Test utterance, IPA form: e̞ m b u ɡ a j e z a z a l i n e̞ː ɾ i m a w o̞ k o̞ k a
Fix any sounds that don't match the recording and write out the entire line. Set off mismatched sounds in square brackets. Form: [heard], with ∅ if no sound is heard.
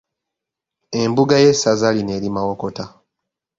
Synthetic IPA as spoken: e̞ m b u ɡ a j e [s] a z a l i n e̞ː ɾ i m a w o̞ k o̞ [t] a